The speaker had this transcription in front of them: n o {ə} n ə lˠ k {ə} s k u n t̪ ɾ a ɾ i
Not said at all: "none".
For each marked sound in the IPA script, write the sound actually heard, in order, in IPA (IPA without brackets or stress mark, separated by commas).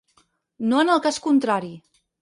ə, a